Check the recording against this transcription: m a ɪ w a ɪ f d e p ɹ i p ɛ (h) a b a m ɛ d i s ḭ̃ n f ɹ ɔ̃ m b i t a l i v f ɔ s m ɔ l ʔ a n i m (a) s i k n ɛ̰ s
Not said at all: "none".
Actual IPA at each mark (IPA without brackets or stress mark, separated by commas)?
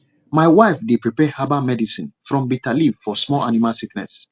h, a